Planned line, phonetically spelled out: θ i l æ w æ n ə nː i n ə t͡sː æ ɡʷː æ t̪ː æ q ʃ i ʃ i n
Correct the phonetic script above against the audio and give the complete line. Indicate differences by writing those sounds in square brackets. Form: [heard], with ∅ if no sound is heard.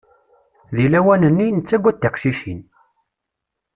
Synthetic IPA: [ð] i l æ w æ n ə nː i n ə t͡sː æ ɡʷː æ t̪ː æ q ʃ i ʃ i n